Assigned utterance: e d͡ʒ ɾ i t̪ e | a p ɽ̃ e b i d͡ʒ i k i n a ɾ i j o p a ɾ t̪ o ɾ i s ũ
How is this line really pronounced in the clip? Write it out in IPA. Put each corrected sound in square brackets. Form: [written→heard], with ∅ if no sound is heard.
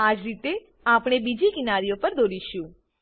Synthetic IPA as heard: [e→a] d͡ʒ ɾ i t̪ e | a p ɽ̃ e b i d͡ʒ i k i n a ɾ i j o p [a→ə] ɾ [t̪→d̪] o ɾ i [s→ʃ] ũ